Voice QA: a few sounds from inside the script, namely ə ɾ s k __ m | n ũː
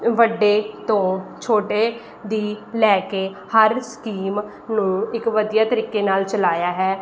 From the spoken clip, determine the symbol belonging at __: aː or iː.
iː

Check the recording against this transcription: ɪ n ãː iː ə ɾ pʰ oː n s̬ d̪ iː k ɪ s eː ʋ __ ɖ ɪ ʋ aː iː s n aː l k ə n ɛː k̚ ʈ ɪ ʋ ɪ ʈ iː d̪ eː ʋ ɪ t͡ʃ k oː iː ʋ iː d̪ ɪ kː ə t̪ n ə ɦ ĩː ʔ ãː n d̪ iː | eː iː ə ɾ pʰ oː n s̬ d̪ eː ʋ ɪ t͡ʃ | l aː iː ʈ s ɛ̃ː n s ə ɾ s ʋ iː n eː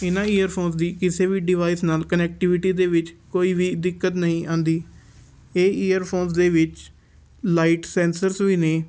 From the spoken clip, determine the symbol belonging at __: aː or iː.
iː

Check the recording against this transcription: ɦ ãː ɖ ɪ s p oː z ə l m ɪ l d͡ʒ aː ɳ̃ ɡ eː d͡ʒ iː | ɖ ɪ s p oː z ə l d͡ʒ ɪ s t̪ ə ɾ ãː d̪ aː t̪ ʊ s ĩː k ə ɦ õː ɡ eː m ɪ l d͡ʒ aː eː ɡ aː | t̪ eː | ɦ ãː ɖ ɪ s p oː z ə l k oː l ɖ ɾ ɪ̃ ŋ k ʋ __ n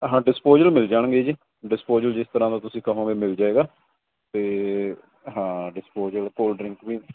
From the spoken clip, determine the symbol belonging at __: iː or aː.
iː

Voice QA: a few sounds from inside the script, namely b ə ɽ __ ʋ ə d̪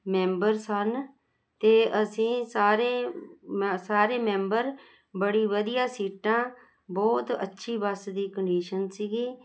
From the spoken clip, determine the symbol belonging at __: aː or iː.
iː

